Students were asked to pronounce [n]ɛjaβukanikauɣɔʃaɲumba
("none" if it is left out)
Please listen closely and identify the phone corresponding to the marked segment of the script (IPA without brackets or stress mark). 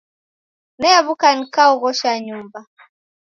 n